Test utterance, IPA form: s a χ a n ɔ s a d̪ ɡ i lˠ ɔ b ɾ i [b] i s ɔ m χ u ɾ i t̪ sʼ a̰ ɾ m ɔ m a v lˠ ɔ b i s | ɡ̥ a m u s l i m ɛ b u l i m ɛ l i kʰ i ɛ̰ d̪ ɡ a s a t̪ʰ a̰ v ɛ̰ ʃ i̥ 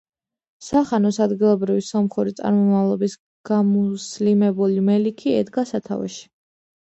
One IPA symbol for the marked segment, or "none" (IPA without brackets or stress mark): v